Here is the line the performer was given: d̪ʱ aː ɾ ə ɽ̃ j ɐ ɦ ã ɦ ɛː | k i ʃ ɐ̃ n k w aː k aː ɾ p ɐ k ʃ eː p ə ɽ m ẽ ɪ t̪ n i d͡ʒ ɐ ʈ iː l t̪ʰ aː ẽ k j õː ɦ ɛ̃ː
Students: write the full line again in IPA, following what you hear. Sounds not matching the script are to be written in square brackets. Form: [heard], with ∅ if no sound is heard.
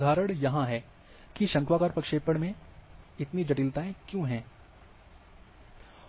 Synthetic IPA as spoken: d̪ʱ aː ɾ ə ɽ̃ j ɐ ɦ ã ɦ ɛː | k i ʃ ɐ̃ [ŋ] k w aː k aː ɾ p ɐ k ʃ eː p ə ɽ m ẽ ɪ t̪ n i d͡ʒ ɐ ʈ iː l [t̪] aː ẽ k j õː ɦ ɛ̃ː